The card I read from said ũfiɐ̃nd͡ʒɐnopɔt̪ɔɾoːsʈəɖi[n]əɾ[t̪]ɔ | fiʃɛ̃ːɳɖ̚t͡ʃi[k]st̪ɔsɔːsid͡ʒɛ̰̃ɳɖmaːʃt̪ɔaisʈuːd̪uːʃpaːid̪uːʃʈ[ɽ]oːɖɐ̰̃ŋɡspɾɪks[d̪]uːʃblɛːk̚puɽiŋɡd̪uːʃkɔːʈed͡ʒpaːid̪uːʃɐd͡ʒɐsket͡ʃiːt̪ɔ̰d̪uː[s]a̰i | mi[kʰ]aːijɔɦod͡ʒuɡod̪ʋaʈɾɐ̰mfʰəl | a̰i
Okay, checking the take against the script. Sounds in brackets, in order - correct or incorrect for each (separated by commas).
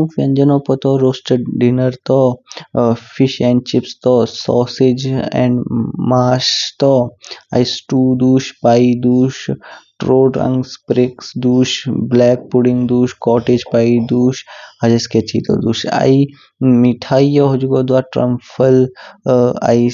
correct, correct, incorrect, incorrect, correct, incorrect, incorrect